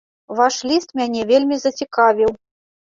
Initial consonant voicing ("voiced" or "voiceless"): voiced